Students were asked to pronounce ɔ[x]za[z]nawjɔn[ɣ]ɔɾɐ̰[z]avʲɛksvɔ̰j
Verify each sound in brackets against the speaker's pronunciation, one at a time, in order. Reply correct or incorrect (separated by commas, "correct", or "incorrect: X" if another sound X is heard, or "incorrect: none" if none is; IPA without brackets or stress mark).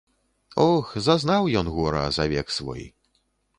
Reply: correct, correct, correct, correct